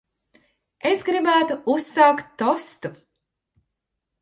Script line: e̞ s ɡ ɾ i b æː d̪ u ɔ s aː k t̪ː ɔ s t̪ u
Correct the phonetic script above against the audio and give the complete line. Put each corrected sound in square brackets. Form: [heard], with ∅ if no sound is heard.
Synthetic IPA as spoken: e̞ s ɡ ɾ i b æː [t̪] u [u] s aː k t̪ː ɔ s t̪ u